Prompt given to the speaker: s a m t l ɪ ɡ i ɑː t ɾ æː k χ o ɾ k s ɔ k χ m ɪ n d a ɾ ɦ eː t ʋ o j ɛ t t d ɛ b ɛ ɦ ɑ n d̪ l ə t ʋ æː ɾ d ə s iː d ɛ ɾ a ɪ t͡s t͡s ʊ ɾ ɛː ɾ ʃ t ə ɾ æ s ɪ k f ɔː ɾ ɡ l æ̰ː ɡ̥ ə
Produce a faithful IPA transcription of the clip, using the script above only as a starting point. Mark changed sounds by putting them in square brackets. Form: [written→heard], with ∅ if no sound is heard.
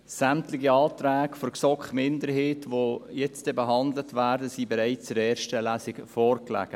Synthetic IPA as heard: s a m t l ɪ ɡ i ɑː t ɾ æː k [χ→f] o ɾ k s ɔ k χ m ɪ n d [a→ə] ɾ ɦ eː t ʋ o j ɛ [t→t͡s] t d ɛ b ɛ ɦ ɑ n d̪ l ə t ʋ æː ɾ d ə s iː [d→b] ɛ ɾ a ɪ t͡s t͡s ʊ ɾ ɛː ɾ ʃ t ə [ɾ→l] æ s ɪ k f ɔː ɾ [ɡ→k] l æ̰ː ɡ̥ ə